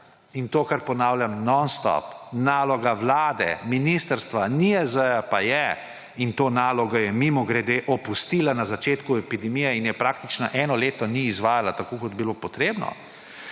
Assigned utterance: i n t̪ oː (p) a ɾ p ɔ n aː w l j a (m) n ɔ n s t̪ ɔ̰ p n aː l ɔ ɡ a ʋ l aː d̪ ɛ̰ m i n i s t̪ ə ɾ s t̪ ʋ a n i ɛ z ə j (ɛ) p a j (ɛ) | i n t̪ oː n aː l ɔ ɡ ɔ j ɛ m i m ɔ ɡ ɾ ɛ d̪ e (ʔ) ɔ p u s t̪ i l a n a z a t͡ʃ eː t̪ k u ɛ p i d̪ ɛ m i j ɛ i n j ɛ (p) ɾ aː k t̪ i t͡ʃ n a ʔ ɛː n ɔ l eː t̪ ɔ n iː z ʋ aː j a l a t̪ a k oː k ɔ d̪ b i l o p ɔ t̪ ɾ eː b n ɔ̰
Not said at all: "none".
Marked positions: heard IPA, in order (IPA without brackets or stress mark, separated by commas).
k, m, a, ɛ, ʔ, p